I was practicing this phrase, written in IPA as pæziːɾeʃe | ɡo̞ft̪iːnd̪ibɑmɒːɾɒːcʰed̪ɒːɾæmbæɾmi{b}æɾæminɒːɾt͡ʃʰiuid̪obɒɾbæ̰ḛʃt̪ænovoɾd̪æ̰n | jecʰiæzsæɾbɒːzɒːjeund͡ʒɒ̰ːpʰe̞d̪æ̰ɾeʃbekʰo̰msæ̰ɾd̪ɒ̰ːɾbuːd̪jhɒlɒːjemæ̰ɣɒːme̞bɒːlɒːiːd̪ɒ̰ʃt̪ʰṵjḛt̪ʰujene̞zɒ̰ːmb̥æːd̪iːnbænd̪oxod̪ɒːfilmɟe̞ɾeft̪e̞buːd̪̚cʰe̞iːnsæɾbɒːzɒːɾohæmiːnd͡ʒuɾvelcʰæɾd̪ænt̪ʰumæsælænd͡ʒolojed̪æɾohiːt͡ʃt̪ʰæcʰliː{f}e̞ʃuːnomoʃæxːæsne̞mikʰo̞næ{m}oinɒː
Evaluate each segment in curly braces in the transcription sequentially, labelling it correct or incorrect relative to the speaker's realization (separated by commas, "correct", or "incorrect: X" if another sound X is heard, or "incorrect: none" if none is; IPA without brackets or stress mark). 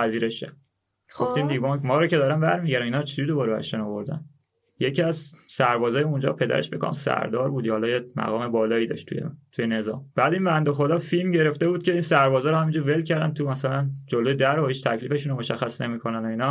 incorrect: ɟ, correct, incorrect: n